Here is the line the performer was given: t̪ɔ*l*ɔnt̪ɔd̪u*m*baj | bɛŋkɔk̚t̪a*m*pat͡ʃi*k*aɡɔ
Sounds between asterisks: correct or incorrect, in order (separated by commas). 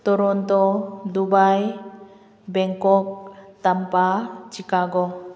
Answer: incorrect, incorrect, correct, correct